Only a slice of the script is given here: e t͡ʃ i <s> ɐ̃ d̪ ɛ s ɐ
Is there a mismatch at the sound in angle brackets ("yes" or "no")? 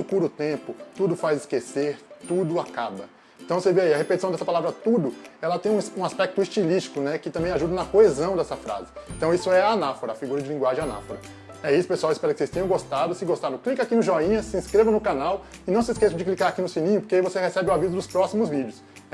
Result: no